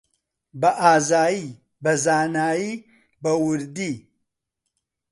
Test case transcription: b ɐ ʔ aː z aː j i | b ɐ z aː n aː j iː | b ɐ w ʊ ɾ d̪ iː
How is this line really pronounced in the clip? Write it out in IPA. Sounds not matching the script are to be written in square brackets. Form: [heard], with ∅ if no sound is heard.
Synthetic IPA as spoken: b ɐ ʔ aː z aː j i | b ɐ z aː n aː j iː | b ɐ w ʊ ɾ d̪ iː